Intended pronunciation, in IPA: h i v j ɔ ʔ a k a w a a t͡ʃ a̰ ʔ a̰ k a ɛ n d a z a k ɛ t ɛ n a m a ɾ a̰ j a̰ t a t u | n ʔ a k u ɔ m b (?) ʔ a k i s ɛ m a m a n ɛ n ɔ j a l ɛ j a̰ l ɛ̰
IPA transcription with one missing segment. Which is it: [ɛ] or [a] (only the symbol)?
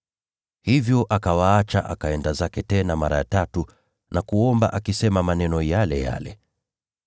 a